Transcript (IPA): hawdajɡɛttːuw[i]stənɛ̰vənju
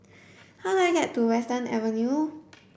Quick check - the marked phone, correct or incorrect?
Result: incorrect